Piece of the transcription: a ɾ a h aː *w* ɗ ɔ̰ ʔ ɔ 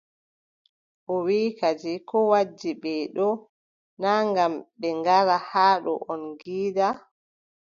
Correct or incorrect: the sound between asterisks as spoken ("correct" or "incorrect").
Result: incorrect